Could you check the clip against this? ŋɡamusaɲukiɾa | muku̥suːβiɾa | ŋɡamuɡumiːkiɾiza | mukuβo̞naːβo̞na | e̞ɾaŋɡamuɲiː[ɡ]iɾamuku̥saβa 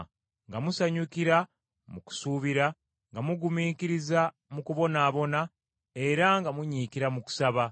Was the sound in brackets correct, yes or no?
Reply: no